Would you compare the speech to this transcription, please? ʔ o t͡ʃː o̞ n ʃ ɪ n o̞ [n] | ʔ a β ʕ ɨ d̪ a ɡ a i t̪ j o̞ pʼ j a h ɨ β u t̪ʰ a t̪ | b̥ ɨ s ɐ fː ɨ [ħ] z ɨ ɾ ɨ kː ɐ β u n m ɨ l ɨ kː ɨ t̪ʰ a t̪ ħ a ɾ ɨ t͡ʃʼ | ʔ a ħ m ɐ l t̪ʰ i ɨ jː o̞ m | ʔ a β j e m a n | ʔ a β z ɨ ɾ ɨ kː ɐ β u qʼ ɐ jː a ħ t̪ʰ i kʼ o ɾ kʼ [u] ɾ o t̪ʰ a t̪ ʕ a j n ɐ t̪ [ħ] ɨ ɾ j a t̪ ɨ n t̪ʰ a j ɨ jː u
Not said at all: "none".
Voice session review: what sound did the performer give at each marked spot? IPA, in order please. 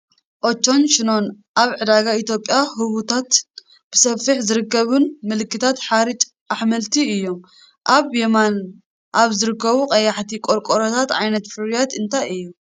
n, ħ, o, f

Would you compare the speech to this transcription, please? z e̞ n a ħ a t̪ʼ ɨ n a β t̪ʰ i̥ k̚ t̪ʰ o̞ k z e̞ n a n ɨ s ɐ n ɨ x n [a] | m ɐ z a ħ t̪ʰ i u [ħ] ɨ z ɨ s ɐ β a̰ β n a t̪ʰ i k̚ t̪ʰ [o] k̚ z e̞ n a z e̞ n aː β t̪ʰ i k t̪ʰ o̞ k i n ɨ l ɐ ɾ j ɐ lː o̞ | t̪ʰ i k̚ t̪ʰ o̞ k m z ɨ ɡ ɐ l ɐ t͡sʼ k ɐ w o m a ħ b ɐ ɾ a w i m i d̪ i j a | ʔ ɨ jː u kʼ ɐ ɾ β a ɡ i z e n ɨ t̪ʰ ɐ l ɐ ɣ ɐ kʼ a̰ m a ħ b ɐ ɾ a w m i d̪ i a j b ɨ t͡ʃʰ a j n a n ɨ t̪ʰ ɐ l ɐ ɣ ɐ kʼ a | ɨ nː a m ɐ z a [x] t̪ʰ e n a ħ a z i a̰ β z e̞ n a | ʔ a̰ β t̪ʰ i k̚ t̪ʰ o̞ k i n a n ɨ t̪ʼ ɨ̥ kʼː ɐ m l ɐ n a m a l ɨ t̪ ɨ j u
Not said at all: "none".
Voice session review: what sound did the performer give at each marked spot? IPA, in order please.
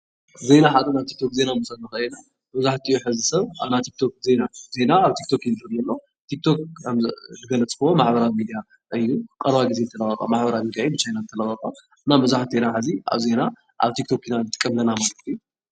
a, ħ, o, ħ

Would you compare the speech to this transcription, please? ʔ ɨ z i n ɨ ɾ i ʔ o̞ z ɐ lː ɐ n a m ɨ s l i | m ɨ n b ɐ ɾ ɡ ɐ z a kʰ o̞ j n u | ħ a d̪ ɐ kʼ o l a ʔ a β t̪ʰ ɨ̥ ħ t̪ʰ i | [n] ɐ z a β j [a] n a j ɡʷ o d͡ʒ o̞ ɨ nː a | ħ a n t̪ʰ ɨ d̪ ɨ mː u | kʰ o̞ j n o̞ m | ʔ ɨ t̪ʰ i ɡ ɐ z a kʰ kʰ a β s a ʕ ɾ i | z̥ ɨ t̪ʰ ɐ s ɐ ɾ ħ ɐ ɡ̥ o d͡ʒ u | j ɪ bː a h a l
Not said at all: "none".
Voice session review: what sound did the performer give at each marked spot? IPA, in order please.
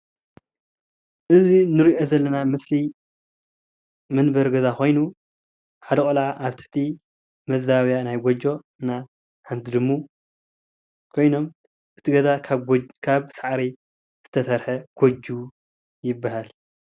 m, a

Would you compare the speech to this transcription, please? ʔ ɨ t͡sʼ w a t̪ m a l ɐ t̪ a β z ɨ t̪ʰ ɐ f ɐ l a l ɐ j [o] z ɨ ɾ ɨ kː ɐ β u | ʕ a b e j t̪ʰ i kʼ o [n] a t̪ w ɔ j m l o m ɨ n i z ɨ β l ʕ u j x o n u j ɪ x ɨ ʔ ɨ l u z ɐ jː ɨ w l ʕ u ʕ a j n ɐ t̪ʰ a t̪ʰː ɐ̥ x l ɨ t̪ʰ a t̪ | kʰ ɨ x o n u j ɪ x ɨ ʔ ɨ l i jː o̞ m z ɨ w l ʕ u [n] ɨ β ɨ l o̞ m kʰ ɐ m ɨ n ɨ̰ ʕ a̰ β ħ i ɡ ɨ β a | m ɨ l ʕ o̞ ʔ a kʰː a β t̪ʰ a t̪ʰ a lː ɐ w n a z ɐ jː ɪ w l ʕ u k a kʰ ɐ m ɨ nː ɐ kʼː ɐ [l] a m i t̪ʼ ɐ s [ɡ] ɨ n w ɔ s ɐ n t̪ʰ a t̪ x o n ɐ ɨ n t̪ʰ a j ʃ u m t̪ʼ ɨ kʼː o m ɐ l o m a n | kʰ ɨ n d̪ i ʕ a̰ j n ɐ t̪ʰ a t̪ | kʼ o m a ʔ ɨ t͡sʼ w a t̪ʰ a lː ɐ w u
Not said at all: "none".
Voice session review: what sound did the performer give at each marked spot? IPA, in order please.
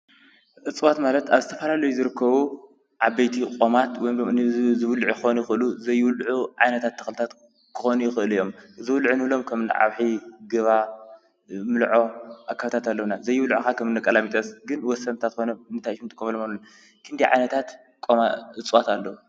u, m, n, l, ɡ

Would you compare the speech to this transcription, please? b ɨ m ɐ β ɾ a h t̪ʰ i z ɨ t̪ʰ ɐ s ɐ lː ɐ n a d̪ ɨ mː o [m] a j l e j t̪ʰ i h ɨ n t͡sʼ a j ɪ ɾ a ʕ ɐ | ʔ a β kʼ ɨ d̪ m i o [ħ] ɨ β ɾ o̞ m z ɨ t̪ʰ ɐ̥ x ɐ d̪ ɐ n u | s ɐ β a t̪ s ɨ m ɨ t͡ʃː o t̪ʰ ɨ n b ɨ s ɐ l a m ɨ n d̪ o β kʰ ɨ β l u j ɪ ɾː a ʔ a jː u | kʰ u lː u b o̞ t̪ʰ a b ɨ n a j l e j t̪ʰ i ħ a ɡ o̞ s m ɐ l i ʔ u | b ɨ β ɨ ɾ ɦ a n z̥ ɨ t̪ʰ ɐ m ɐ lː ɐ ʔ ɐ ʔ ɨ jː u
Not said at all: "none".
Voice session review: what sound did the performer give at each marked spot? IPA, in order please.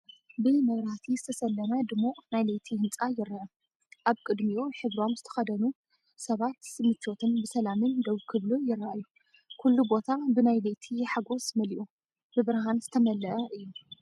n, ħ

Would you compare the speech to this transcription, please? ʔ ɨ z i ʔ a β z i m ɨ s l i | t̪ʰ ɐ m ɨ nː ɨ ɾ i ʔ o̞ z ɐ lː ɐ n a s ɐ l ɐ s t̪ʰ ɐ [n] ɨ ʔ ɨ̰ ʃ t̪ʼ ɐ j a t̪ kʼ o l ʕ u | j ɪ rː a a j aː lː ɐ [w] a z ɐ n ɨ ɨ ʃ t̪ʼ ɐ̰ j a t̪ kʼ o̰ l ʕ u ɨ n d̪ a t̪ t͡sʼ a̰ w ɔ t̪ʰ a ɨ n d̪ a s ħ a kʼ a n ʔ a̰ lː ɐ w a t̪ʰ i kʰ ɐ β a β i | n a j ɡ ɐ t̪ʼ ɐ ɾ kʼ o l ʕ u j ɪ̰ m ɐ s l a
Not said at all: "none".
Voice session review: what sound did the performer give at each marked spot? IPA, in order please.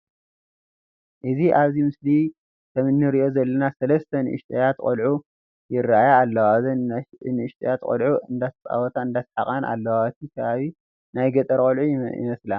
n, w

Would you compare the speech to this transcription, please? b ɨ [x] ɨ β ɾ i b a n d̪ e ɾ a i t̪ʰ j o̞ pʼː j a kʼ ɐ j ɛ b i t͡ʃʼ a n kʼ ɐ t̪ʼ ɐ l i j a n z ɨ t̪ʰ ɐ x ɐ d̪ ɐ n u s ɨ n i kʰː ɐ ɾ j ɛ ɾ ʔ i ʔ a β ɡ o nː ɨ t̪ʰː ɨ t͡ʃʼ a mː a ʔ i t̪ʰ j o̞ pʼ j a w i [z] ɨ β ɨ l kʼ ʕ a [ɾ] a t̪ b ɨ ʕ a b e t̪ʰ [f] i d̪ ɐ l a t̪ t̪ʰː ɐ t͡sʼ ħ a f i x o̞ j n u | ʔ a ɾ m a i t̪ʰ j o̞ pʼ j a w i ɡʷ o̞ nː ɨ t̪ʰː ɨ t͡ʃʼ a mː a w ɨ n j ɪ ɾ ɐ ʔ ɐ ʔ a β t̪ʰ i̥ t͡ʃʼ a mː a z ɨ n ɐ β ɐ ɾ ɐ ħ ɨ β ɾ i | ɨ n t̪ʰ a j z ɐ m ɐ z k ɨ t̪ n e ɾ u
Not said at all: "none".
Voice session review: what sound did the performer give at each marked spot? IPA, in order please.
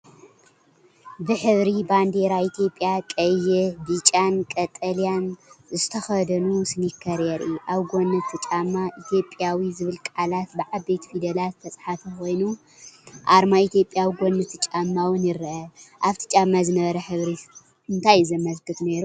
ħ, z, l, f

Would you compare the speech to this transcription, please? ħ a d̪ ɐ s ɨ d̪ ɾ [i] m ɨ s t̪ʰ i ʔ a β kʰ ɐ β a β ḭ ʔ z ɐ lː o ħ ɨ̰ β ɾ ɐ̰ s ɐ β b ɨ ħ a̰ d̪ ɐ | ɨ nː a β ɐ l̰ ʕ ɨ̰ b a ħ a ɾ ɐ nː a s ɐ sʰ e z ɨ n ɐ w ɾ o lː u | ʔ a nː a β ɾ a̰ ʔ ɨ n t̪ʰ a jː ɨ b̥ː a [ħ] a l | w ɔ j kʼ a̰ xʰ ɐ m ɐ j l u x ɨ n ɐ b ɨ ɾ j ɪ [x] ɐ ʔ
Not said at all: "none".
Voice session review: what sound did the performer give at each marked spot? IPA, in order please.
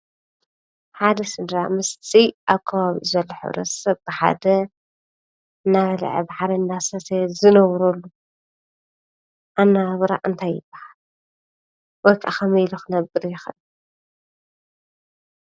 a, h, x

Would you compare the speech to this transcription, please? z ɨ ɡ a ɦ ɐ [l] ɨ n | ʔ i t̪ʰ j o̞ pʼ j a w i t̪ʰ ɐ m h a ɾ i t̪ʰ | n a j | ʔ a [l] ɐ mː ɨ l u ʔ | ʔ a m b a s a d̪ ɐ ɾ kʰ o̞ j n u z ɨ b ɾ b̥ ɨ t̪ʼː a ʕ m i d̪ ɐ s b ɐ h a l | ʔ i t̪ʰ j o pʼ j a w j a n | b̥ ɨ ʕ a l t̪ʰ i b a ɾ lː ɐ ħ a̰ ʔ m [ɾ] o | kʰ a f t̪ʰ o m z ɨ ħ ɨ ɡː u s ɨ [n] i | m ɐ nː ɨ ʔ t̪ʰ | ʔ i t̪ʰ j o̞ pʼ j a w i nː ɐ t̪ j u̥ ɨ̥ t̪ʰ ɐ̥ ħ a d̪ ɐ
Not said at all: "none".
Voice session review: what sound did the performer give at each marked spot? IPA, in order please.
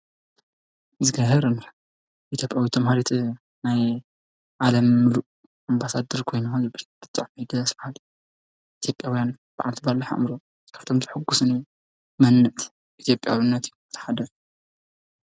ɾ, l, ɾ, n

